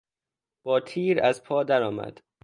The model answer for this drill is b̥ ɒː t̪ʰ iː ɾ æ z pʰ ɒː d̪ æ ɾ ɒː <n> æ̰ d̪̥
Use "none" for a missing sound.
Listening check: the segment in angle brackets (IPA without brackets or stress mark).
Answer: m